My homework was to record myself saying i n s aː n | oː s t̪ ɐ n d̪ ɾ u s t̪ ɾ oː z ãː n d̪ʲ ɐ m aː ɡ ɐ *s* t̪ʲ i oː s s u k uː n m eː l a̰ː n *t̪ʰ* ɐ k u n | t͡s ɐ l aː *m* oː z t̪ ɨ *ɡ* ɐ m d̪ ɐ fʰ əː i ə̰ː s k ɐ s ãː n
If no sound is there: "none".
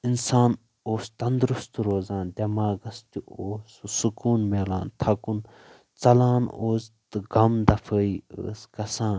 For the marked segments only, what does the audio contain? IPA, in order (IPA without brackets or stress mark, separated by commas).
s, t̪ʰ, n, ɡ